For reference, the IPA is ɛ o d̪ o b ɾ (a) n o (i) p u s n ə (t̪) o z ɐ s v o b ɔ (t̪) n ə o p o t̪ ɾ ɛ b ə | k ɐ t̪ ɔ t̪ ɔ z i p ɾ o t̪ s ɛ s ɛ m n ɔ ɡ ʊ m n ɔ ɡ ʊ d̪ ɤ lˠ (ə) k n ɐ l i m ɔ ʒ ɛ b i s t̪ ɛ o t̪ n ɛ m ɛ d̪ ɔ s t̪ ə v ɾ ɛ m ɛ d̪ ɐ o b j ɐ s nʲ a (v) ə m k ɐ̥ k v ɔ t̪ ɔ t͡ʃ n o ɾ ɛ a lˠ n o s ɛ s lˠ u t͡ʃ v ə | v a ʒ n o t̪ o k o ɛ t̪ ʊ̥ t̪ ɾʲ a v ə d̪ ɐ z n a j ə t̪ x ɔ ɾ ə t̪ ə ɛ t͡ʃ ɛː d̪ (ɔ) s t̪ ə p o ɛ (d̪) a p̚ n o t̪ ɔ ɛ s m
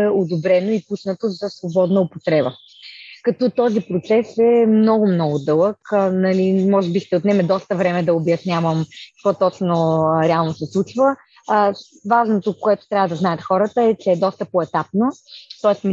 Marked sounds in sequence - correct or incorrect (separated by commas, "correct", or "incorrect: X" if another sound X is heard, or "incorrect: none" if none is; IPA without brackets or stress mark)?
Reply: incorrect: ɛ, correct, correct, incorrect: d̪, correct, correct, correct, incorrect: t̪